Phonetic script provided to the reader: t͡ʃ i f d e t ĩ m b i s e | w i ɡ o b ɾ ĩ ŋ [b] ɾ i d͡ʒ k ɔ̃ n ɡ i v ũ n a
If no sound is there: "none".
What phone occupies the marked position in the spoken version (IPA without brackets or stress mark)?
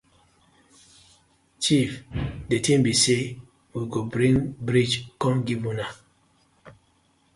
b